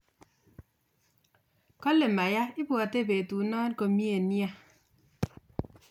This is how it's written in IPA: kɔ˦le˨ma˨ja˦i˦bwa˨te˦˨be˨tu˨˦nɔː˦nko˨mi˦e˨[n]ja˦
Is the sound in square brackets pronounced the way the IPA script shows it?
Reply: yes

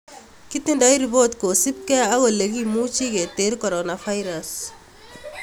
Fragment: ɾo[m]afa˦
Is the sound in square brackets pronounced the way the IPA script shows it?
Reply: no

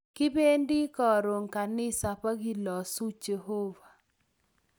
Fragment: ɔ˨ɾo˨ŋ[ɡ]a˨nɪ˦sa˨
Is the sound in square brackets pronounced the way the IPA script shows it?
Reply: no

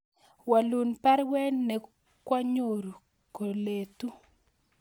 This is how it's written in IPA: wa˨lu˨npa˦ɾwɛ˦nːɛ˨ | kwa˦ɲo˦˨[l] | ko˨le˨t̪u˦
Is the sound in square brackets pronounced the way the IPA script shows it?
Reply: no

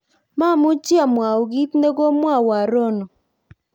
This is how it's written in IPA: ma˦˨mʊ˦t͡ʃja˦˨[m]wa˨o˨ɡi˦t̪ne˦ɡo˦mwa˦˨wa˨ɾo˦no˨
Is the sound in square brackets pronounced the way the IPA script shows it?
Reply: yes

